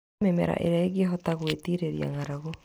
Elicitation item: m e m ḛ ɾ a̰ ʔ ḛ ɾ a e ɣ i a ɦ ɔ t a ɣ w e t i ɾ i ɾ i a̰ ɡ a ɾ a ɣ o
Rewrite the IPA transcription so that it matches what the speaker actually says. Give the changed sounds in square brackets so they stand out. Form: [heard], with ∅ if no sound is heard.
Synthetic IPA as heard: m e m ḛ ɾ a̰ ʔ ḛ ɾ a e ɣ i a ɦ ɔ t a ɣ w e t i ɾ [e] ɾ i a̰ [ŋ] a ɾ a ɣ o